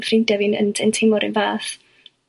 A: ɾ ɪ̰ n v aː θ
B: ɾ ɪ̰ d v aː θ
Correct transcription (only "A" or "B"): A